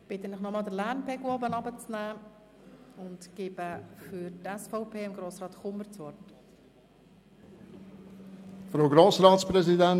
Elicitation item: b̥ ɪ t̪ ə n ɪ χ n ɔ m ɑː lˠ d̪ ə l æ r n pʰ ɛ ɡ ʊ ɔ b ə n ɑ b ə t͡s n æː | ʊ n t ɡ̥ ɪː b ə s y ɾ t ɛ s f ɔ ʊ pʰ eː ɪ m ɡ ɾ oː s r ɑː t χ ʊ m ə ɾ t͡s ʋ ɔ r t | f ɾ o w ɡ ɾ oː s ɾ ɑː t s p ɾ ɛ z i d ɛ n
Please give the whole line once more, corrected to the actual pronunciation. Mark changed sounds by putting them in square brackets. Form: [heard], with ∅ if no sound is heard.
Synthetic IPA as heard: b̥ ɪ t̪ ə n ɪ χ n ɔ m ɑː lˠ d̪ ə l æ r n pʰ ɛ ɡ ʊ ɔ b ə n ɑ b ə t͡s n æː | ʊ n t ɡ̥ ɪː b ə [f] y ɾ t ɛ s f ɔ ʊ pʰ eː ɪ m ɡ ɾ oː s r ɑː t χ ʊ m ə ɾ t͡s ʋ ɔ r t | f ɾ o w ɡ ɾ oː s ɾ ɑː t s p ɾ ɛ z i d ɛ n